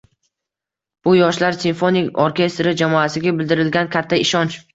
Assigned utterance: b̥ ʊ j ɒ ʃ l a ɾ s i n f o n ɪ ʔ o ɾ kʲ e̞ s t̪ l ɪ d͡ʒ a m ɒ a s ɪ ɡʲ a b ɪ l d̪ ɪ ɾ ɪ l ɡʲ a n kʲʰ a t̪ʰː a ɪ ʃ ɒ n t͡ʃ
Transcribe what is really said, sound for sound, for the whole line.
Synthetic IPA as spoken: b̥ ʊ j ɒ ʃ l a ɾ s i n f o n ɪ k o ɾ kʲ e̞ s t̪ ɾ ɪ d͡ʒ a m ɒ a s ɪ ɡʲ a b ɪ l d̪ ɪ ɾ ɪ l ɡʲ a n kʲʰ a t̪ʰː a ɪ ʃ ɒ n t͡ʃ